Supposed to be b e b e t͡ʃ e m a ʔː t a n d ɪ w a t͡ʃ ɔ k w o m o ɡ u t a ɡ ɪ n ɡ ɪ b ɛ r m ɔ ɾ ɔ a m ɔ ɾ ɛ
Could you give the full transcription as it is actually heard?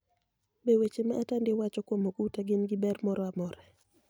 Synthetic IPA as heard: b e w e t͡ʃ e m a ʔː t a n d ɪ w a t͡ʃ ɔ k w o m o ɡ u t a ɡ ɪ n ɡ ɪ b ɛ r m ɔ ɾ ɔ a m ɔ ɾ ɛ